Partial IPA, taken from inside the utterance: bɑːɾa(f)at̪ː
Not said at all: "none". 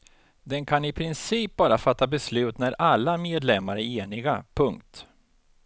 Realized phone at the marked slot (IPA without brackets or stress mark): f